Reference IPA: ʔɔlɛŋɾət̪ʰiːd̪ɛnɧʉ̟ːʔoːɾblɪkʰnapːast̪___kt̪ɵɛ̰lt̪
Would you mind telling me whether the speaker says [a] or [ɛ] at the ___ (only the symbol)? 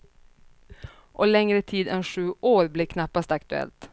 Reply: a